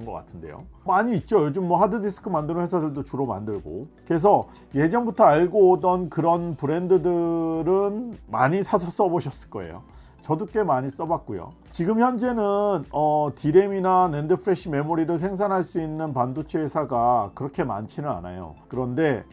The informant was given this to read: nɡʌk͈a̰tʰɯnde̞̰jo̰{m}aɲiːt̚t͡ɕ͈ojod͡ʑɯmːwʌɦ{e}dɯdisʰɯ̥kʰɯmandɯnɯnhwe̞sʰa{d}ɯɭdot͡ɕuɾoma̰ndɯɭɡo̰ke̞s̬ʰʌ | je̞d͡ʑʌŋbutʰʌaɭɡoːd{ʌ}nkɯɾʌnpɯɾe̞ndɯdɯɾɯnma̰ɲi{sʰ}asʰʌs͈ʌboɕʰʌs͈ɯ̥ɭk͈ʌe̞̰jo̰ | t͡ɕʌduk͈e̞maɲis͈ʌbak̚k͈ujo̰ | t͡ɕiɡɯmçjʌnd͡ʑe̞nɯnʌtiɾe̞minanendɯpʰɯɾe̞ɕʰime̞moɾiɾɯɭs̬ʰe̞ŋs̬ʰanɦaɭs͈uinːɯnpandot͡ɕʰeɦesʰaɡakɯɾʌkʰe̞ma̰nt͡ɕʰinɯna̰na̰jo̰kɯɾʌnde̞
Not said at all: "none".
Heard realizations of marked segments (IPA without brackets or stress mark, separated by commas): m, a, d, ʌ, sʰ